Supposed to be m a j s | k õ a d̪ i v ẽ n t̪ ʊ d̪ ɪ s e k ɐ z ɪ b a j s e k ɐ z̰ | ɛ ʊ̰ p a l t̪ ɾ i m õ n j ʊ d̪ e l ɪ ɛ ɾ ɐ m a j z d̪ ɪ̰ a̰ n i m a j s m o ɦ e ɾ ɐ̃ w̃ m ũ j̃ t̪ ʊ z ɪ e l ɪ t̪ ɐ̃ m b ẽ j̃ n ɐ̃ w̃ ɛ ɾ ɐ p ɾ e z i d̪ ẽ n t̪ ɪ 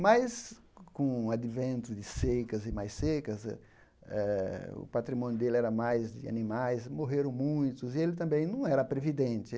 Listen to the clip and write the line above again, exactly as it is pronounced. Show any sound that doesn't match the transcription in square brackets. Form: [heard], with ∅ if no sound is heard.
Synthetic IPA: m a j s | k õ a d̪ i v ẽ n t̪ ʊ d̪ ɪ s e k ɐ z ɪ [m] a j s e k ɐ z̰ | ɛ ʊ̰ p a [∅] t̪ ɾ i m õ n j ʊ d̪ e l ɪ ɛ ɾ ɐ m a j z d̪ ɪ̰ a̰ n i m a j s m o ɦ e ɾ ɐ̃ w̃ m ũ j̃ t̪ ʊ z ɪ e l ɪ t̪ ɐ̃ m b ẽ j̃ n ɐ̃ w̃ ɛ ɾ ɐ p ɾ e [v] i d̪ ẽ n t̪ ɪ